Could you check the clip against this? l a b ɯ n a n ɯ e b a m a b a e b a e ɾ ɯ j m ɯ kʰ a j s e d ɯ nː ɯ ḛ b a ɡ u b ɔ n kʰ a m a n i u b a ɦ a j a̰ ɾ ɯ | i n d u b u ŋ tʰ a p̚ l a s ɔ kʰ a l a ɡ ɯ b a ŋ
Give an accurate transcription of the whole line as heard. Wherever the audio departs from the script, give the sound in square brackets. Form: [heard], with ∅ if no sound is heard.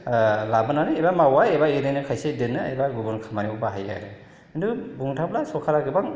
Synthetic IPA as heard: l a b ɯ n a n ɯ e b a m a [w] a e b a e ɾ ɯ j [n] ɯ kʰ a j s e d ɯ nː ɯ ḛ b a ɡ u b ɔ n kʰ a m a n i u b a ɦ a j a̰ ɾ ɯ | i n d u b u ŋ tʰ a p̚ l a s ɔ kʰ a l a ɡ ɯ b a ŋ